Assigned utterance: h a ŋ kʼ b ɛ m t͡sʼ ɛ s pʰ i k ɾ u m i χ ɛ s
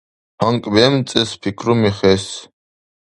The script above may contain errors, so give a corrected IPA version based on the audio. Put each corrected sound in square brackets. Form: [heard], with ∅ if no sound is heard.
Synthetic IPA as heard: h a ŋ kʼ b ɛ m t͡sʼ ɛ s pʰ i [kʰ] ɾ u m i χ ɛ s